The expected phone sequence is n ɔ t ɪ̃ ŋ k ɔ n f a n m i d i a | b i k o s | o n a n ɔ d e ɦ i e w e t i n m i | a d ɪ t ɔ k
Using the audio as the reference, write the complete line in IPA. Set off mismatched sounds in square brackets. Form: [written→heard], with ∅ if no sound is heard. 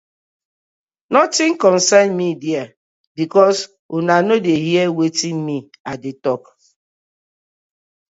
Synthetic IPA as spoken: n ɔ t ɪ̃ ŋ k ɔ n [f→s] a n m i d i a | b i k [o→ɔ] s | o n a n [ɔ→o] d e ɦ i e w e t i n m i | a d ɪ t ɔ k